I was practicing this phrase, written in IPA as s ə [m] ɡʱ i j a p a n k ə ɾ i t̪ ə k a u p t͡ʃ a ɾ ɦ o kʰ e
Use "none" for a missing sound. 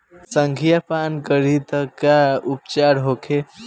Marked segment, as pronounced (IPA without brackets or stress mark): ŋ